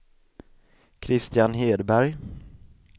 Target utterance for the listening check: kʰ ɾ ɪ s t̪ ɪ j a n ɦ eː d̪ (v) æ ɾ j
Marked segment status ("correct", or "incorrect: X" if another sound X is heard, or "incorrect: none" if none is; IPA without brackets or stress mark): incorrect: b